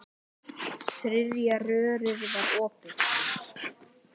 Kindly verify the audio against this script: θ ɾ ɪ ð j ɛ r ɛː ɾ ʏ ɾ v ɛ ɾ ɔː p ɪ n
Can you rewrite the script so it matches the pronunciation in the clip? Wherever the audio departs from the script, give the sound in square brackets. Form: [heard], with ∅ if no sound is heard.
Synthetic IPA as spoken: θ ɾ ɪ ð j [a] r [œː] ɾ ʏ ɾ v [a] ɾ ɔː p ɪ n